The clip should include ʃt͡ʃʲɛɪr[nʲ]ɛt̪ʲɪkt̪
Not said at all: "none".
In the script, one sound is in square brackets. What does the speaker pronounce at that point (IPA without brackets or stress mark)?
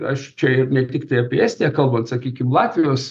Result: nʲ